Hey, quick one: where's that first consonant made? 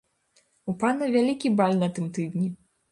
lips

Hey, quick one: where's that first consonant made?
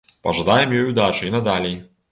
lips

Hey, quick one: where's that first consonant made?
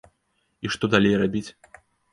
retroflex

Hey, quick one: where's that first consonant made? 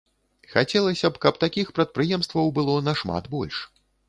velum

